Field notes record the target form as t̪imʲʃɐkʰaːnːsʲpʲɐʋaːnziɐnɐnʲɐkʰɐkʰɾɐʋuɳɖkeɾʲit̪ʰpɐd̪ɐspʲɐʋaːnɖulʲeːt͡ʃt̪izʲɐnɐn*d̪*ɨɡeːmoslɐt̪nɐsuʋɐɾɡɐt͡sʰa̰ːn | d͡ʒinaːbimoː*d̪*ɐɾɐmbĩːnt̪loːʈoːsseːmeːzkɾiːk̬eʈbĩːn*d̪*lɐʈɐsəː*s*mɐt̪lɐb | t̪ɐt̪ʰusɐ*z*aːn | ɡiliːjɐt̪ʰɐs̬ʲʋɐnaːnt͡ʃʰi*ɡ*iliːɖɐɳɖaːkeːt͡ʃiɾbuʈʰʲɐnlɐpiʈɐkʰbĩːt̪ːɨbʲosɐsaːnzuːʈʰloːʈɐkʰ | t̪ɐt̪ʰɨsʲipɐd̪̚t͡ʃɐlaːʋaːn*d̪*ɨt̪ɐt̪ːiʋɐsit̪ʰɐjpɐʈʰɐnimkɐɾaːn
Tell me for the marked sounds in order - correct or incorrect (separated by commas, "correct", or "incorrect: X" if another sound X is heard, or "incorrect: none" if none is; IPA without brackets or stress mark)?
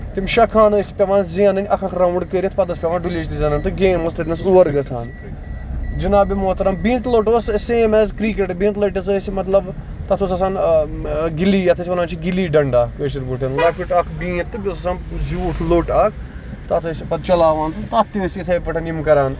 incorrect: t̪, incorrect: t̪, incorrect: t̪, correct, incorrect: s, correct, incorrect: t̪